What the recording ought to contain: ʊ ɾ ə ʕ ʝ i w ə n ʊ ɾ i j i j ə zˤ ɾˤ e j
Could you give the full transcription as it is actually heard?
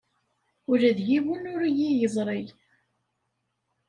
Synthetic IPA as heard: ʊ ɾ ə ð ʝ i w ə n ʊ ɾ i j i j ə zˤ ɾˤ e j